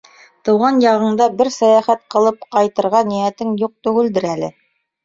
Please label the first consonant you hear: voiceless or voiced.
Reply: voiceless